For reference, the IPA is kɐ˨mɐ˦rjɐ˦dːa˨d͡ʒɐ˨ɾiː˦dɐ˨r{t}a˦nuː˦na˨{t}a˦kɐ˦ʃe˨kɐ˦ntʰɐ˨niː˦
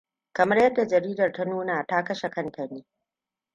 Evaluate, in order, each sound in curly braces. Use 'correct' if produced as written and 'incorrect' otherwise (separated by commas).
correct, correct